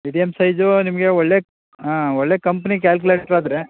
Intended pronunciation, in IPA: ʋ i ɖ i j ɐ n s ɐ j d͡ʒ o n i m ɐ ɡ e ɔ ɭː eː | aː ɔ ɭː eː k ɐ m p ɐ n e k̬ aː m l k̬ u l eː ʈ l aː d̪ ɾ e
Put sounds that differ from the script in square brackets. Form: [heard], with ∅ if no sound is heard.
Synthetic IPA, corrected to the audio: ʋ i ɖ i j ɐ [m] s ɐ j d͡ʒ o n i m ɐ ɡ e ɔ ɭː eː | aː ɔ ɭː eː k ɐ m p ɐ n [i] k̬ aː [∅] l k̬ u l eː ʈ [ɾ] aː d̪ ɾ e